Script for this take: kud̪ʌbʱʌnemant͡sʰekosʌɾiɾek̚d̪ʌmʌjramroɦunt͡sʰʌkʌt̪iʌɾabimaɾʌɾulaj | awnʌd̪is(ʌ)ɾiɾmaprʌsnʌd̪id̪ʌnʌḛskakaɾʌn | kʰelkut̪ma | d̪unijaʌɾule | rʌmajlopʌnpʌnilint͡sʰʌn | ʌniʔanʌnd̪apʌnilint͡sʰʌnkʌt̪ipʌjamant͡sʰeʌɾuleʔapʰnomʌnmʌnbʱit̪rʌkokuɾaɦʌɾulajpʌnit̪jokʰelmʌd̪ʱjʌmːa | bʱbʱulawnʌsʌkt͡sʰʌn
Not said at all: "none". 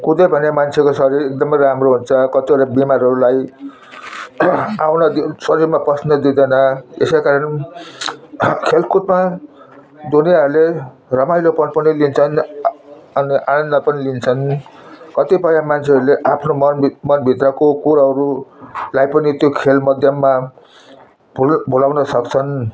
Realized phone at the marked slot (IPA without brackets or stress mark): ʌ